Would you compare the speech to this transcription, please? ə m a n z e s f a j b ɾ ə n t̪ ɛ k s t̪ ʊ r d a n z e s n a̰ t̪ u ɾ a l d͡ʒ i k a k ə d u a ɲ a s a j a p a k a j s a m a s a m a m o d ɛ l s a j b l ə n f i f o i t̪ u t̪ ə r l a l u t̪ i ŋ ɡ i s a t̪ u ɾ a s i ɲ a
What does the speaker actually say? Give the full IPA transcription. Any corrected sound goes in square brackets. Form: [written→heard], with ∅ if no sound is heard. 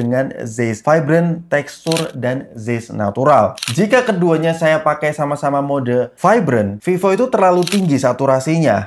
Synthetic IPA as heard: ə [m→ŋ] a n z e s f a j b ɾ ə n t̪ ɛ k s t̪ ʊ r d a n z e s n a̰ t̪ u ɾ a l d͡ʒ i k a k ə d u a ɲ a s a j a p a k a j s a m a s a m a m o d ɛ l [s→f] a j b [l→ɾ] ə n f i f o i t̪ u t̪ ə r l a l u t̪ i ŋ ɡ i s a t̪ u ɾ a s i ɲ a

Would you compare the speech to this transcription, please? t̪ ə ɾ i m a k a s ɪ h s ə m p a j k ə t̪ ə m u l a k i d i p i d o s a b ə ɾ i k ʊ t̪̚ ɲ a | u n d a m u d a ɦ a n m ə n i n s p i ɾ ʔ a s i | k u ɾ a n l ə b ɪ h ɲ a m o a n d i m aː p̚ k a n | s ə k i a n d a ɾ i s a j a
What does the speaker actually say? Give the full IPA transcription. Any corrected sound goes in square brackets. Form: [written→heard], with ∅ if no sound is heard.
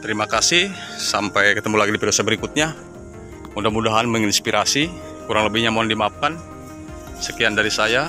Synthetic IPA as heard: t̪ ə ɾ i m a k a s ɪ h s [ə→a] m p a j k ə t̪ ə m u l a [k→ɡ] i d i p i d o s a b ə ɾ i k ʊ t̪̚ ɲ a | u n d a m u d a ɦ a n m ə [n→ŋ] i n s p i ɾ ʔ a s i | k u ɾ a [n→ŋ] l ə b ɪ h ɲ a m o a n d i m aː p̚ k a n | s ə k i a n d a ɾ i s a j a

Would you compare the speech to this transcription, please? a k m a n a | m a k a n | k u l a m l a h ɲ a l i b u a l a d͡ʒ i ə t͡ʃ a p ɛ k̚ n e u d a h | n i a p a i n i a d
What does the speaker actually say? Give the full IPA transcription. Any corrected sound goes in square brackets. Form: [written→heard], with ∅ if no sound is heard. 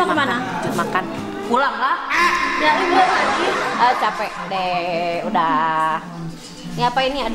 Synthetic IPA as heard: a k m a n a | m a k a n | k u l a [m→ŋ] l a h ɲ a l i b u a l a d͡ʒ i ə t͡ʃ a p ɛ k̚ [n→d] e u d a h | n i a p a i n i a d

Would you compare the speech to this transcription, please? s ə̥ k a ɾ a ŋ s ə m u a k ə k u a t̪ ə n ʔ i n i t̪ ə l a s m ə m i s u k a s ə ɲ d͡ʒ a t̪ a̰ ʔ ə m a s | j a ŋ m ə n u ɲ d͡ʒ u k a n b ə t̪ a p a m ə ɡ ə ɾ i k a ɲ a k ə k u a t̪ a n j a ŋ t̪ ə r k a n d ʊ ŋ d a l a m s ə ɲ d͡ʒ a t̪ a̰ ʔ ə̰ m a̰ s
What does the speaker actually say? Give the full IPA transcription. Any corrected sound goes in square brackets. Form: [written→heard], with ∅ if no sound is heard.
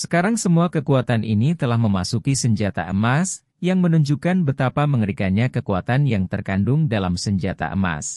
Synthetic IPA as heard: s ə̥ k a ɾ a ŋ s ə m u a k ə k u a t̪ [ə→a] n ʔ i n i t̪ ə l a [s→h] m ə m [i→a] s u k [a→i] s ə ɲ d͡ʒ a t̪ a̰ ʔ ə m a s | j a ŋ m ə n u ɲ d͡ʒ u k a n b ə t̪ a p a m ə [ɡ→ŋ] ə ɾ i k a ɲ a k ə k u a t̪ a n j a ŋ t̪ ə r k a n d ʊ ŋ d a l a m s ə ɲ d͡ʒ a t̪ a̰ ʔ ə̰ m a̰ s

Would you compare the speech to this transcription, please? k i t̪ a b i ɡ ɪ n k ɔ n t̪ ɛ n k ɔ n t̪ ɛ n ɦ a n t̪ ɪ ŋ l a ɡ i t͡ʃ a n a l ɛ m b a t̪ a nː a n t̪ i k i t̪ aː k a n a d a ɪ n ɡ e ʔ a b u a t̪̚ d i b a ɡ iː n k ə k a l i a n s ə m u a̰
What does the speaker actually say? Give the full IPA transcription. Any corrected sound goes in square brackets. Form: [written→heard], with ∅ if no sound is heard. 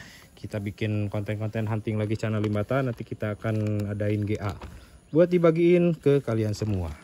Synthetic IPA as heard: k i t̪ a b i [ɡ→k] ɪ n k ɔ n t̪ ɛ n k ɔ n t̪ ɛ n ɦ a n t̪ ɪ ŋ l a ɡ i t͡ʃ a n a l [ɛ→i] m b a t̪ a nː a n t̪ i k i t̪ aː k a n a d a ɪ n ɡ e ʔ a b u a t̪̚ d i b a ɡ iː n k ə k a l i a n s ə m u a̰

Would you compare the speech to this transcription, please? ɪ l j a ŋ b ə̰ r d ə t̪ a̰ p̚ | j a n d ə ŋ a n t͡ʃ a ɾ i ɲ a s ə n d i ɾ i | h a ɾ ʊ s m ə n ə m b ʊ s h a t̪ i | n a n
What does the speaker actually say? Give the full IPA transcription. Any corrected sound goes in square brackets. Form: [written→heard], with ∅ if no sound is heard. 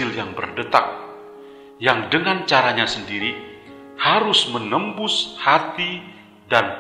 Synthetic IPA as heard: ɪ l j a ŋ b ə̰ r d ə t̪ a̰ [p̚→k̚] | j a [n→ŋ] d ə ŋ a n t͡ʃ a ɾ [i→a] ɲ a s ə n d i ɾ i | h a ɾ ʊ s m ə n ə m b ʊ s h a t̪ i | [n→d] a n

